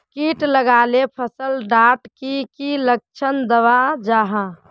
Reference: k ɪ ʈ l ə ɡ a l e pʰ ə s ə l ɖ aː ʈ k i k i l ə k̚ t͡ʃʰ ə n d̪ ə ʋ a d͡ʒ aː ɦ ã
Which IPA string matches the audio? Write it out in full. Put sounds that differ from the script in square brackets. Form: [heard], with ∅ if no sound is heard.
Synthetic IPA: k [i] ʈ l ə ɡ a l e pʰ ə s ə l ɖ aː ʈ k i k i l ə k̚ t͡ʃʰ ə n d̪ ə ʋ a d͡ʒ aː ɦ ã